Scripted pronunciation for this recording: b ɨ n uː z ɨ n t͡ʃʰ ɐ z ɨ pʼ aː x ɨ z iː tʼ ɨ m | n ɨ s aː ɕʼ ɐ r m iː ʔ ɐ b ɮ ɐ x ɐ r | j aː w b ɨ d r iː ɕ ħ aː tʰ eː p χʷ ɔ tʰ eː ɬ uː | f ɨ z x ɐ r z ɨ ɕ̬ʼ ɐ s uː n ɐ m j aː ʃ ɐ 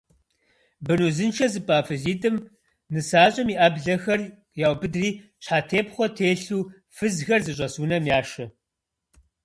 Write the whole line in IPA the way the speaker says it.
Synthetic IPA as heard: b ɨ n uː z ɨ n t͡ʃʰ ɐ z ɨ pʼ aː f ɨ z iː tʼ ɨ m | n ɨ s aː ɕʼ ɐ m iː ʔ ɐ b ɮ ɐ x ɐ r | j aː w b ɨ d r iː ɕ ħ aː tʰ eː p χʷ ɔ tʰ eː ɬ uː | f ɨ z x ɐ r z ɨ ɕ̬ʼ ɐ s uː n ɐ m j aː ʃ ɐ